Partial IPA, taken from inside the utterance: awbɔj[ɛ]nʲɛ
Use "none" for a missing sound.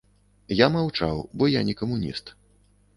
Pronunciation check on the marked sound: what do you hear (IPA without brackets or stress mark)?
a